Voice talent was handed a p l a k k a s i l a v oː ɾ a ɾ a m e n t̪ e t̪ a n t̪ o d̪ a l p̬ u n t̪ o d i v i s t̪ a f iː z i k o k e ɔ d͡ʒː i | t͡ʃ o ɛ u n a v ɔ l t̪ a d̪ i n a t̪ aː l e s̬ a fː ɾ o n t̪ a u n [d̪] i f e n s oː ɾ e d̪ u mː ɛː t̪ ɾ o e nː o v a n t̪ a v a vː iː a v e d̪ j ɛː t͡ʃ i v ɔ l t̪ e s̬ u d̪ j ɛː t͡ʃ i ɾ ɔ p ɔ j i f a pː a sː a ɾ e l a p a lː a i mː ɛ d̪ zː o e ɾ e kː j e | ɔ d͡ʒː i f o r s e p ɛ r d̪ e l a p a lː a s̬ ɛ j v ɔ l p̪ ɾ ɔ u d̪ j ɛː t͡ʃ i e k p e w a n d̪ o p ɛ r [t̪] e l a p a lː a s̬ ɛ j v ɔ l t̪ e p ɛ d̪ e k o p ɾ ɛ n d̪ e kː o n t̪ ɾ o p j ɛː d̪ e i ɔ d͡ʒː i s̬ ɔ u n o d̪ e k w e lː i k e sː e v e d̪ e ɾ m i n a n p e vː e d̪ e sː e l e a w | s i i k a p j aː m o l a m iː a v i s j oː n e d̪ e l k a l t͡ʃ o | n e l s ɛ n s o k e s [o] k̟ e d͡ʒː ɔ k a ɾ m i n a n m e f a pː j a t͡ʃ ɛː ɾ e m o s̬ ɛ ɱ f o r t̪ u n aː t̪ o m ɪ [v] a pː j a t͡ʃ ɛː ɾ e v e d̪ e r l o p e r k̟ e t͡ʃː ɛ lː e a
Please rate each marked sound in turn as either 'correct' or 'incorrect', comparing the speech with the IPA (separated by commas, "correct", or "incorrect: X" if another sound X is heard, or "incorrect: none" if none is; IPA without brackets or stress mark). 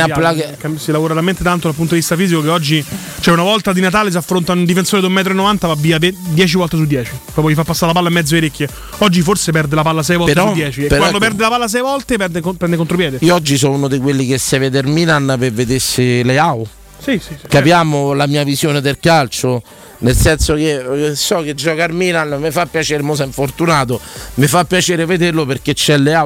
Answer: correct, incorrect: d̪, incorrect: ɔ, incorrect: f